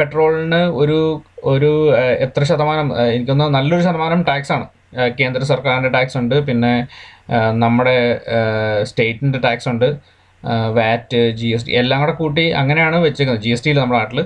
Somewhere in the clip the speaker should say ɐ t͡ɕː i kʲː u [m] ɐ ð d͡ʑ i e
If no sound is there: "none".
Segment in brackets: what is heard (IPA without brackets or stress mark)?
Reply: n